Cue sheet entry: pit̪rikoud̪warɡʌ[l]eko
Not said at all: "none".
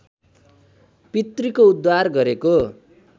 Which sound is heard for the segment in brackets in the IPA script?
ɾ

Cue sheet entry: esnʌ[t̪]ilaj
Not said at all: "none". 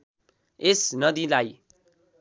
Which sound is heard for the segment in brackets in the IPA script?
d̪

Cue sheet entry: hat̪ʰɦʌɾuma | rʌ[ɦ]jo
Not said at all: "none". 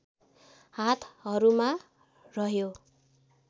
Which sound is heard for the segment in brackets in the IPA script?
ɦ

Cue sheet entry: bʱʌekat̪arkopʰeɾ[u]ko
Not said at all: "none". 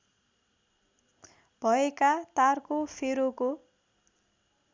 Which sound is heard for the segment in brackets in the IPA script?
o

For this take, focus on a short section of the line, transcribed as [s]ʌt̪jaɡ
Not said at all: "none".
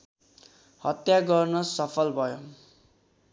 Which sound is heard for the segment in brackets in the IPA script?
h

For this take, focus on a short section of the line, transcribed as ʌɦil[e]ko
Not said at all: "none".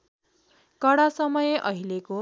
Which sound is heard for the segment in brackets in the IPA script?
e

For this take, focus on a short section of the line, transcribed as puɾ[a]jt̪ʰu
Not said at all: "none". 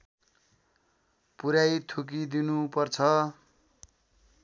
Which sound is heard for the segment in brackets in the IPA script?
a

